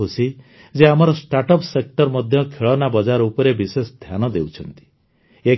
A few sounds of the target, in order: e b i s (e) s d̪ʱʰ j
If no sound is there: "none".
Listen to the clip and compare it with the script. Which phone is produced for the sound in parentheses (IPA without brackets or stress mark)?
e